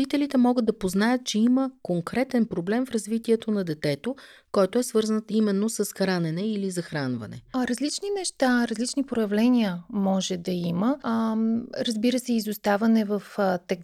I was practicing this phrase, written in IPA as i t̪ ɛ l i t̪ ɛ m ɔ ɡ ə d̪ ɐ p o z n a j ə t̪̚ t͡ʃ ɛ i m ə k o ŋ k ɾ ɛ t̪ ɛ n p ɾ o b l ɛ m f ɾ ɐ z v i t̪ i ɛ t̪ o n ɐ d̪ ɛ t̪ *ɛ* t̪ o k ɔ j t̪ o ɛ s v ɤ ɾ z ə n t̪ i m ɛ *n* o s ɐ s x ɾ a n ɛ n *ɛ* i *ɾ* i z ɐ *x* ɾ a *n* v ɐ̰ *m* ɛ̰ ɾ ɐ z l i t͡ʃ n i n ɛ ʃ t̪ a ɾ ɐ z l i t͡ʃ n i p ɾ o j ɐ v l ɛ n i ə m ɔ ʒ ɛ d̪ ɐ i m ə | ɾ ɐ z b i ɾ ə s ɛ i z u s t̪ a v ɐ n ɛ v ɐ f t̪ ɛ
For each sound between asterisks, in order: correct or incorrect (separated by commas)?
correct, incorrect, correct, incorrect, correct, correct, incorrect